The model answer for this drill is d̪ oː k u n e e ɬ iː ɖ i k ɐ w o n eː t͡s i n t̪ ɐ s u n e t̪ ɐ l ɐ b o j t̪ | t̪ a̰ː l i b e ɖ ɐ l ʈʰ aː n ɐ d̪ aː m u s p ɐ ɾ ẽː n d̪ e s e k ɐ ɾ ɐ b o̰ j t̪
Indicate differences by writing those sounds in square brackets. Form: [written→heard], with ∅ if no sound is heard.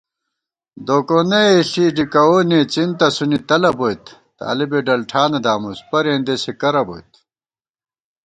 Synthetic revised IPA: d̪ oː k [u→o] n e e ɬ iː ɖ i k ɐ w o n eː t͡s i n t̪ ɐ s u n [e→i] t̪ ɐ l ɐ b o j t̪ | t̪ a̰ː l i b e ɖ ɐ l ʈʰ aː n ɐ d̪ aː m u s p ɐ ɾ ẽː n d̪ e s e k ɐ ɾ ɐ b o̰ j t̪